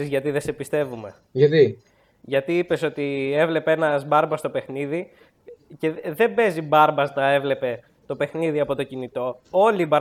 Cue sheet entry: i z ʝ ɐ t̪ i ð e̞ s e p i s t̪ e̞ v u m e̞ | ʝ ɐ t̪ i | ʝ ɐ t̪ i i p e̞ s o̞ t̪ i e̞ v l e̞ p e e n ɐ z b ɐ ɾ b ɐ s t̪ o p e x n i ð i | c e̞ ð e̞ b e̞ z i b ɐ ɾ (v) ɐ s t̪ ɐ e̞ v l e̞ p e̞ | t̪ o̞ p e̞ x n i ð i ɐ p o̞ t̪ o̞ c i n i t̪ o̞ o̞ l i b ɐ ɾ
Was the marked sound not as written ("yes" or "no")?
yes